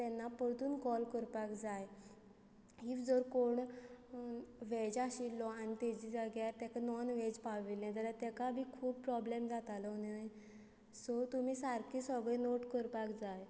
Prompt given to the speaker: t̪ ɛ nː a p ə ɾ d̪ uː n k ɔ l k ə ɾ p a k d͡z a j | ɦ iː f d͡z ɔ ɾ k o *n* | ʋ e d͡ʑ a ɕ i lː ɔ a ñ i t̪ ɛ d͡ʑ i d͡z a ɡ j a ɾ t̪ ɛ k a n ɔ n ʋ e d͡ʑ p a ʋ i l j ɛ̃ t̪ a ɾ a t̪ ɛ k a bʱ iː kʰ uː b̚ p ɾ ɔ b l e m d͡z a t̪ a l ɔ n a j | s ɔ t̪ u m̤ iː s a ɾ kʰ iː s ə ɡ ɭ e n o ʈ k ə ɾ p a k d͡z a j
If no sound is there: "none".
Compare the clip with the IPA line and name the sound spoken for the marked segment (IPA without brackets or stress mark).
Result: ɳ